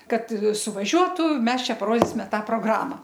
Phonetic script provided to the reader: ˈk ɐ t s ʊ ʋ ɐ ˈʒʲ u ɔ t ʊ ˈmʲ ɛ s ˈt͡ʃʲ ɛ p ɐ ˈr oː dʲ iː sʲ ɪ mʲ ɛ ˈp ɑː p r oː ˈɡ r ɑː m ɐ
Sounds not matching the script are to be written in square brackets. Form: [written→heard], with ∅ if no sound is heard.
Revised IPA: ˈk ɐ t s ʊ ʋ ɐ ˈʒʲ u ɔ t ʊ ˈmʲ ɛ s ˈt͡ʃʲ ɛ p ɐ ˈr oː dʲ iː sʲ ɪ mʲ ɛ [ˈp→ˈt] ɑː p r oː ˈɡ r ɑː m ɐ